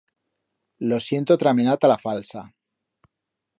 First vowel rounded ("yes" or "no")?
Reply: yes